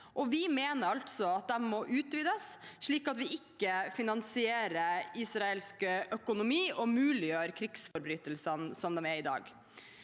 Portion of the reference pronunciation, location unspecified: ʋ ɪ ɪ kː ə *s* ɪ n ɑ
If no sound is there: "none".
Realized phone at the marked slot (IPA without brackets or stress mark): f